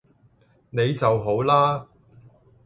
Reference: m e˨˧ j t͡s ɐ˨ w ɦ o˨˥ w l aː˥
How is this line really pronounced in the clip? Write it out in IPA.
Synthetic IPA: n e˨˧ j t͡s ɐ˨ w ɦ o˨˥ w l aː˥